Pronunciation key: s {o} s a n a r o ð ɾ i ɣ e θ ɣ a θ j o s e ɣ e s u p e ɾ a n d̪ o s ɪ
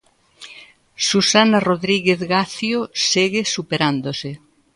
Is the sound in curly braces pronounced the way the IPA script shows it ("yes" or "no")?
no